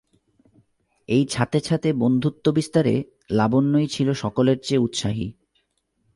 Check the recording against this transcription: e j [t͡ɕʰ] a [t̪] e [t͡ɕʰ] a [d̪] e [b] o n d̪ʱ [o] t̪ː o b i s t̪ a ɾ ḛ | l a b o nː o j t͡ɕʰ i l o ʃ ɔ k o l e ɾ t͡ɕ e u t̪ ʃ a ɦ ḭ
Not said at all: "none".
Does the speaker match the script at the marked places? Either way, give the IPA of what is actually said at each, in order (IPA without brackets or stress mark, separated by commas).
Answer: t͡ɕʰ, t̪, t͡ɕʰ, t̪, b, u